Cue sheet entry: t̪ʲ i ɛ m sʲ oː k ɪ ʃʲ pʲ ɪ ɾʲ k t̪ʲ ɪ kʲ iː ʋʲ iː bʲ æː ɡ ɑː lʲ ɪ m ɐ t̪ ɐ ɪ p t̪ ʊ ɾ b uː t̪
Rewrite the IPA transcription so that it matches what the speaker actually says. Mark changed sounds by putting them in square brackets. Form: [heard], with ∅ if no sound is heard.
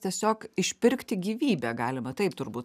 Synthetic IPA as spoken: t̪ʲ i ɛ [∅] sʲ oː k ɪ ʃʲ pʲ ɪ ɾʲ k t̪ʲ ɪ [ɡʲ] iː ʋʲ iː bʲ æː ɡ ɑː lʲ ɪ m ɐ t̪ ɐ ɪ p t̪ ʊ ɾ b uː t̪